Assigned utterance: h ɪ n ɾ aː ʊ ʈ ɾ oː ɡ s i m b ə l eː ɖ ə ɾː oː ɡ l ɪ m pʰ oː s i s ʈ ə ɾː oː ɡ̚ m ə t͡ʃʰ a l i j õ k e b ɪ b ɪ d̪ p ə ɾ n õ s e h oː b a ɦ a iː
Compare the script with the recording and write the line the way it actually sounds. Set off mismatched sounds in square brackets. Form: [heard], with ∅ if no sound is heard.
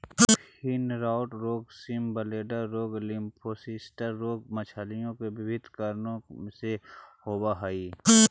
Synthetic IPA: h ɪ n ɾ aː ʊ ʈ ɾ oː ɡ s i m b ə l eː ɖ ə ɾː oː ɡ l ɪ m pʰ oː s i s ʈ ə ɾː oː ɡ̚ m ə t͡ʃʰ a l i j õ k e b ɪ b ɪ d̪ [k] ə ɾ n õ s e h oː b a ɦ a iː